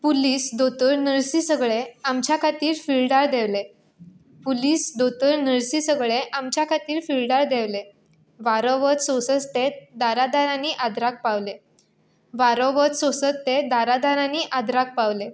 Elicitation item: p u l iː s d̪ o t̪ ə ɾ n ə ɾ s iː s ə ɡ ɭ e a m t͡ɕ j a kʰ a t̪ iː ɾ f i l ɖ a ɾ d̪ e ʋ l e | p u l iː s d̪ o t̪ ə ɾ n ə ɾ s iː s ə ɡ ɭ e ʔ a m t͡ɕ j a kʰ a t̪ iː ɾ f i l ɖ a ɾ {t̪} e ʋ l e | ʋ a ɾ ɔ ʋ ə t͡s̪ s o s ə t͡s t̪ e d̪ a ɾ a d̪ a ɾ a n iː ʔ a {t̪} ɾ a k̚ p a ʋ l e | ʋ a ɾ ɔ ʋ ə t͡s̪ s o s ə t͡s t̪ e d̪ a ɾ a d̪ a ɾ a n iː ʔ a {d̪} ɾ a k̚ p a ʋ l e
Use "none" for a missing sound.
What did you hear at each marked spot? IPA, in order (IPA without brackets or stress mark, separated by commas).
d̪, d̪, d̪